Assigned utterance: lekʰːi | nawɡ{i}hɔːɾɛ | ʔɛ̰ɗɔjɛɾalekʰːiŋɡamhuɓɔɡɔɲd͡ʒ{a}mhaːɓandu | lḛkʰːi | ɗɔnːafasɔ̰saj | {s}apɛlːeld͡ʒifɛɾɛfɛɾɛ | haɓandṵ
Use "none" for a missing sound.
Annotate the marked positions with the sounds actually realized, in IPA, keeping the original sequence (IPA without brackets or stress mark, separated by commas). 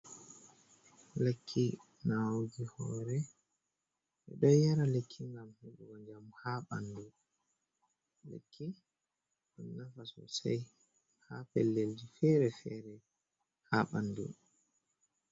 i, a, h